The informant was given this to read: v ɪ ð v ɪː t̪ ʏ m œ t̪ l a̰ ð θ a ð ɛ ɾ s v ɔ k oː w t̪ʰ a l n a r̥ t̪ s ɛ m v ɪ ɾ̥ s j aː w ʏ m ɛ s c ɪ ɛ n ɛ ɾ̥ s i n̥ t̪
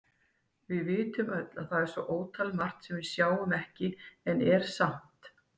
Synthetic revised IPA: v ɪ ð v ɪː t̪ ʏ m œ t̪ l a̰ ð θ a ð ɛ ɾ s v ɔ ʔ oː w t̪ʰ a l m a r̥ t̪ s ɛ m v ɪ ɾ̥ s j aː w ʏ m ɛ h c ɪ ɛ n ɛ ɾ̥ s a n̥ t̪